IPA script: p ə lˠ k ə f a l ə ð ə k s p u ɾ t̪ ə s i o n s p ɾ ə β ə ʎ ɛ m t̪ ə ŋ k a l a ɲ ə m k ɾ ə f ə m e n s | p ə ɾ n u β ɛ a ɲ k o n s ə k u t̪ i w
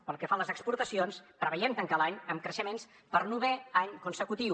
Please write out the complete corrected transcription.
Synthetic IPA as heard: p ə lˠ k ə f a l ə z ə k s p u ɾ t̪ ə s i o n s p ɾ ə β ə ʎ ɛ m t̪ ə ŋ k a l a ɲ ə m k ɾ ə ʃ ə m e n s | p ə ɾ n u β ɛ a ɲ k u n s ə k u t̪ i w